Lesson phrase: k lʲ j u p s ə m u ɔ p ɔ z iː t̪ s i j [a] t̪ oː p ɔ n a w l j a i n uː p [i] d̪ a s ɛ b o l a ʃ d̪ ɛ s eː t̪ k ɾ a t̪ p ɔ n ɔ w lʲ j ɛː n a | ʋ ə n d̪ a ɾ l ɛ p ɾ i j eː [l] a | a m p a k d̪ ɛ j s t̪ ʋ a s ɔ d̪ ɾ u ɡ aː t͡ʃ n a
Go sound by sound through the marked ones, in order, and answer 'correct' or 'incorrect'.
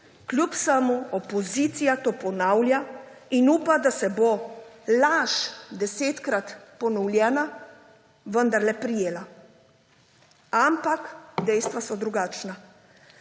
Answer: correct, incorrect, correct

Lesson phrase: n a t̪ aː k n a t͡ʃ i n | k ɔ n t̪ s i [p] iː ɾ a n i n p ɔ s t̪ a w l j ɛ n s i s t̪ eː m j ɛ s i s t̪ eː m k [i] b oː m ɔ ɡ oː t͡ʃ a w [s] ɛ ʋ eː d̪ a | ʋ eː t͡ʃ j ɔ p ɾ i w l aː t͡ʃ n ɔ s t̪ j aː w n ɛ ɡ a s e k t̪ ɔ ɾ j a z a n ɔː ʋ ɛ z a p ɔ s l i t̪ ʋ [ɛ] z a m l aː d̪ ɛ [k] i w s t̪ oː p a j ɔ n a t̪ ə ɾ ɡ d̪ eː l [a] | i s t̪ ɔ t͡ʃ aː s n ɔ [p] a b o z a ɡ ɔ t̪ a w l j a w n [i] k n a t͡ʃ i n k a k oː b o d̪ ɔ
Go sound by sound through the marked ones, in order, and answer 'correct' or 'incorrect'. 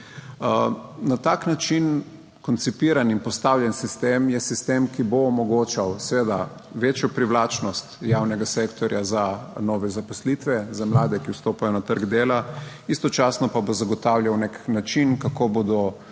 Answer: correct, correct, correct, correct, correct, correct, correct, incorrect

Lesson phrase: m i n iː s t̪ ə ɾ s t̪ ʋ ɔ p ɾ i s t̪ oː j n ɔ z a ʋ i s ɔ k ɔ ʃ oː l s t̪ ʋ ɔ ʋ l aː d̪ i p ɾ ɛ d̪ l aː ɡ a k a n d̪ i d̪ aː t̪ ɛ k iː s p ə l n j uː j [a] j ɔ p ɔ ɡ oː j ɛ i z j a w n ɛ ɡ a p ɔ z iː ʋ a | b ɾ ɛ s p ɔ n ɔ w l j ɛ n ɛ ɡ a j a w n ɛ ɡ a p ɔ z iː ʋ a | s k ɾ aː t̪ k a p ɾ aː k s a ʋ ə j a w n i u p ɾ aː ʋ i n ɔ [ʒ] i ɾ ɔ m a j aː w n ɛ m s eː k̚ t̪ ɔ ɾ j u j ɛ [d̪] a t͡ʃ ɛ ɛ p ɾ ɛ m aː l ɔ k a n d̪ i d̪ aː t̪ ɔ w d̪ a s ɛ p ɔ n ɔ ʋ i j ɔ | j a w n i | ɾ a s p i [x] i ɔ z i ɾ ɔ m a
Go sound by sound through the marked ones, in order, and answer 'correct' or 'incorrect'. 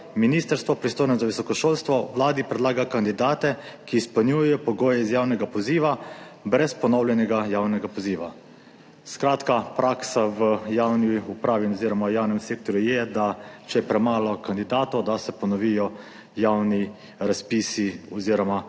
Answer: incorrect, incorrect, correct, incorrect

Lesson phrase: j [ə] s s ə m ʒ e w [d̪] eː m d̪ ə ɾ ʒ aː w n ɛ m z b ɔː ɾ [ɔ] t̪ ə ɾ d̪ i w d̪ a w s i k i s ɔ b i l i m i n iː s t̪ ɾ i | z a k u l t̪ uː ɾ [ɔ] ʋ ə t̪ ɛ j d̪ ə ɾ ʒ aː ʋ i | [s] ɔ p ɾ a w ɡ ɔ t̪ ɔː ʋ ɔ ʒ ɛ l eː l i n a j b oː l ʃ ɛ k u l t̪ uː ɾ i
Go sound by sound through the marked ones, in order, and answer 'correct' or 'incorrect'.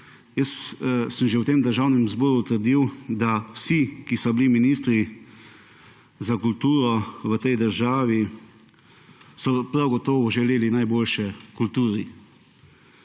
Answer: correct, incorrect, incorrect, correct, correct

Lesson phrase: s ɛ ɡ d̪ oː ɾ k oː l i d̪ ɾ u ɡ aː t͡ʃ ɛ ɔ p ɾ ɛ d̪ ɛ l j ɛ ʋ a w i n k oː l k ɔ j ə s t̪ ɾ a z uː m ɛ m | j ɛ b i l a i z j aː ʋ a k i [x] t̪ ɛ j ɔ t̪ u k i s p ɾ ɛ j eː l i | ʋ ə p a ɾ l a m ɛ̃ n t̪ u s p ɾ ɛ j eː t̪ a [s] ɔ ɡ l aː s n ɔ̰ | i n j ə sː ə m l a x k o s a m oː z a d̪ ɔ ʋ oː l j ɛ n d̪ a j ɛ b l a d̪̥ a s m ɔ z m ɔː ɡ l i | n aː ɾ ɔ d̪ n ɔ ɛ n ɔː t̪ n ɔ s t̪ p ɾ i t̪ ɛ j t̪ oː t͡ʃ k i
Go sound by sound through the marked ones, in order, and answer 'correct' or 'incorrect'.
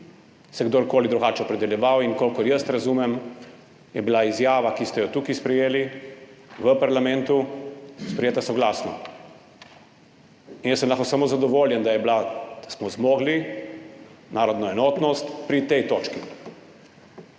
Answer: incorrect, correct

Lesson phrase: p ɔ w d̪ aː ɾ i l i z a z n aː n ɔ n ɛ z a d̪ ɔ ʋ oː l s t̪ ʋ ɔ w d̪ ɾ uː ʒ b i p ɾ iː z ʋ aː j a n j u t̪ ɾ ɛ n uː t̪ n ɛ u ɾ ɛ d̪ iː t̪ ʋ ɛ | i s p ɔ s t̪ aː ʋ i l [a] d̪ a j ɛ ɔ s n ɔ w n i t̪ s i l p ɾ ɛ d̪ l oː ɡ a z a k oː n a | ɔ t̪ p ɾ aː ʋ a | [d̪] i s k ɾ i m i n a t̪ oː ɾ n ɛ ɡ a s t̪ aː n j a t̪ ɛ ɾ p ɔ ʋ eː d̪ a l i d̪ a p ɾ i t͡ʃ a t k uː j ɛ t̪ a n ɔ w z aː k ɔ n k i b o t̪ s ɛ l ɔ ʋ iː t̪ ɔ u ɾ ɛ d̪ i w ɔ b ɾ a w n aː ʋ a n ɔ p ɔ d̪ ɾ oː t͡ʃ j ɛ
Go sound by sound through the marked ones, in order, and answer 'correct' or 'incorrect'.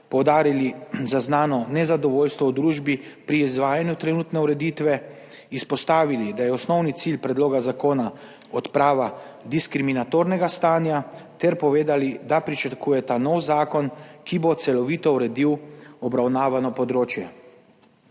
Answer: incorrect, correct

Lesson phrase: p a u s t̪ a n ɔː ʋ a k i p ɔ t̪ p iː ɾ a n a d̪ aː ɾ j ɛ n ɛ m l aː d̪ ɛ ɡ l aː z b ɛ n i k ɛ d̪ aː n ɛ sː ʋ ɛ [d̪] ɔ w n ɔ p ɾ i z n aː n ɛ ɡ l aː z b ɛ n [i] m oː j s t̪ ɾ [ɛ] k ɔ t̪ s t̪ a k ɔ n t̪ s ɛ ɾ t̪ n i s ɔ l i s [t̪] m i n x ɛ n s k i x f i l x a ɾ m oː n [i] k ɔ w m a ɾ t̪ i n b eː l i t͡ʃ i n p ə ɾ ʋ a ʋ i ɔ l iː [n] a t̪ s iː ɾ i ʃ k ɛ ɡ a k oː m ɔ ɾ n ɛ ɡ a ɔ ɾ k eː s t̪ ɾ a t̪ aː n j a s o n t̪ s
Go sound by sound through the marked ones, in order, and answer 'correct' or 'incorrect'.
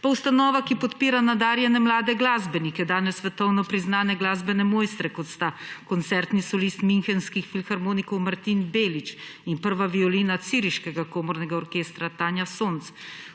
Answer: incorrect, incorrect, correct, correct, correct, correct

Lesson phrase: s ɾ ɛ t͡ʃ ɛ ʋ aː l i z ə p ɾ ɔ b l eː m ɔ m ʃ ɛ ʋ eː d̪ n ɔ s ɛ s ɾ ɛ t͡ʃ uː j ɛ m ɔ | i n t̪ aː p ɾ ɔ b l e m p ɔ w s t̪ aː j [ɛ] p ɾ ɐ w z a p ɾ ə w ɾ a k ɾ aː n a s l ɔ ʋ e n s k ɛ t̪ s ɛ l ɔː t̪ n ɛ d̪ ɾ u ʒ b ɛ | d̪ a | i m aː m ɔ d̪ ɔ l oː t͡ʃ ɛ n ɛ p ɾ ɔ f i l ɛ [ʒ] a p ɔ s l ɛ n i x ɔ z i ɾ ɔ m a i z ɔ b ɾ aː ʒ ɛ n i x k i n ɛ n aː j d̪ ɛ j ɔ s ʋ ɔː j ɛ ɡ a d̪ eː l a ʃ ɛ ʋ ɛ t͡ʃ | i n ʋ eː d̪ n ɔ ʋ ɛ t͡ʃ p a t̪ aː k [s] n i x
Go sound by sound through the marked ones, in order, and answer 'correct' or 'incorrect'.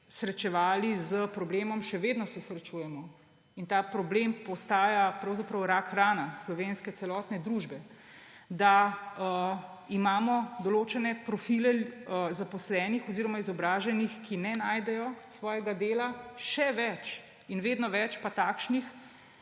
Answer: incorrect, incorrect, incorrect

